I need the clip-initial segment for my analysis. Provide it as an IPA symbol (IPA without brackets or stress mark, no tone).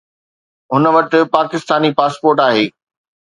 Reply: ɦ